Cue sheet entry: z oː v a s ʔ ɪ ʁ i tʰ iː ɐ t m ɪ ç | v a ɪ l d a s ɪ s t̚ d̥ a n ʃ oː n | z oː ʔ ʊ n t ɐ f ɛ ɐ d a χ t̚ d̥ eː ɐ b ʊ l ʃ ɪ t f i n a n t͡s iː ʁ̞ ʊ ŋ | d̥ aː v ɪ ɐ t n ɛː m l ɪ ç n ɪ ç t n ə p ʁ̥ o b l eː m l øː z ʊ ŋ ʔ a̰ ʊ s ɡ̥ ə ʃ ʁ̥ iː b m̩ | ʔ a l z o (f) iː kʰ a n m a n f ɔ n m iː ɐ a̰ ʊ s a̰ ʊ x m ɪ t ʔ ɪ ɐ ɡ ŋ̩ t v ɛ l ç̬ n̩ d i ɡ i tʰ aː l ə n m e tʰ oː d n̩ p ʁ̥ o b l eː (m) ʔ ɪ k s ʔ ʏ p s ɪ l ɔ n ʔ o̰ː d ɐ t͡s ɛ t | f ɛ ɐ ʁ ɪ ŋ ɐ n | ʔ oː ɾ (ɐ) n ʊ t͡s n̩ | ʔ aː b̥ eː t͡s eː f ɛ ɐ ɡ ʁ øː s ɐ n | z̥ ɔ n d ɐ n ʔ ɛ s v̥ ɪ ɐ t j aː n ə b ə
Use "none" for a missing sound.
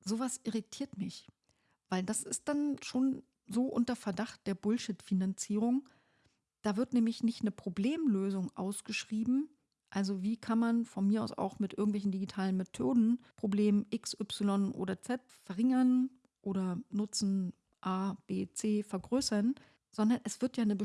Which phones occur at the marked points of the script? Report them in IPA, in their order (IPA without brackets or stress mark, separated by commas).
v, m, ɐ